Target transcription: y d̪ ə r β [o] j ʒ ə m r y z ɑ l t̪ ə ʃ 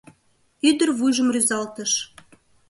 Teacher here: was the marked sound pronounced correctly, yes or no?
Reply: no